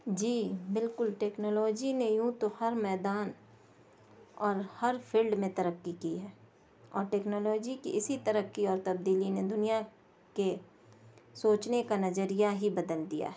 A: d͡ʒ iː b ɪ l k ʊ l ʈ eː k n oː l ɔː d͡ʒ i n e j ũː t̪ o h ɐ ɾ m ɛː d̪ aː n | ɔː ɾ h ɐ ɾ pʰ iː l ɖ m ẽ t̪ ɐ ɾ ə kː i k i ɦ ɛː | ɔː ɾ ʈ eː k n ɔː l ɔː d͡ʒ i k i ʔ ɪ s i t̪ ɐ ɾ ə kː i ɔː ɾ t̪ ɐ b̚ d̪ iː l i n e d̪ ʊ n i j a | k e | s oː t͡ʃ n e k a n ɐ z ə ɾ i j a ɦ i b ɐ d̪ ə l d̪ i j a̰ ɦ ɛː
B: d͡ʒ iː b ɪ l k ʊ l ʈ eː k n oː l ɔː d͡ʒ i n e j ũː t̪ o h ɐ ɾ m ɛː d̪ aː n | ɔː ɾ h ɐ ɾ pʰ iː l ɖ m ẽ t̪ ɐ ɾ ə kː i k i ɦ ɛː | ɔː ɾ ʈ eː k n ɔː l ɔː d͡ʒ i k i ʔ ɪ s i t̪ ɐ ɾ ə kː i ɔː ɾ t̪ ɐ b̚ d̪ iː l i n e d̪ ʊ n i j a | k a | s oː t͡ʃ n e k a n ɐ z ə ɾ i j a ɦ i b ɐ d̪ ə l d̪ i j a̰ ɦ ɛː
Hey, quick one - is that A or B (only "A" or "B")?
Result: A